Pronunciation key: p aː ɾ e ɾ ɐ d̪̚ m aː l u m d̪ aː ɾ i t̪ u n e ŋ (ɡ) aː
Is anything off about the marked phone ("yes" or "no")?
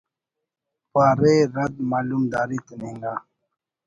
no